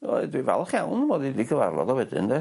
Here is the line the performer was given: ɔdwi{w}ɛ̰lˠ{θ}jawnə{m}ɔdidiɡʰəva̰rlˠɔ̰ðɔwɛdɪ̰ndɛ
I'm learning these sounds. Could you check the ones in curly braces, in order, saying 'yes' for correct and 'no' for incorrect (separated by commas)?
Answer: no, no, yes